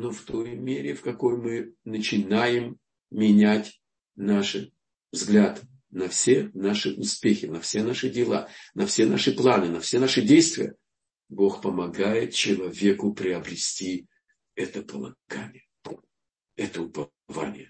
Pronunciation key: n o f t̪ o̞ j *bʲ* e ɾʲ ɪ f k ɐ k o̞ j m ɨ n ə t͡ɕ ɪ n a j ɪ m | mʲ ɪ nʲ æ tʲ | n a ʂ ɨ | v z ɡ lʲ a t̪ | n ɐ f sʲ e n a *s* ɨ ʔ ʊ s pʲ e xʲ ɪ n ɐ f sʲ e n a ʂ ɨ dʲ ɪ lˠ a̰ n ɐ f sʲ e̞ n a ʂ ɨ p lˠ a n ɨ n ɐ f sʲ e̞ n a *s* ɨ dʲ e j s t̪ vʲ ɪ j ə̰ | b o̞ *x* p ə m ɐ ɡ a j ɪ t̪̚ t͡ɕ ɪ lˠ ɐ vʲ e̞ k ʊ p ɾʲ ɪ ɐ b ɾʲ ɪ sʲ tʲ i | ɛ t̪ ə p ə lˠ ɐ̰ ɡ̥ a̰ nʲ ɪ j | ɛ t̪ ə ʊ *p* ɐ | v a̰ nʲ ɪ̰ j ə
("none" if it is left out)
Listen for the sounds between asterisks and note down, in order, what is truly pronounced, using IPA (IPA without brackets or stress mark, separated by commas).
mʲ, ʂ, ʂ, x, p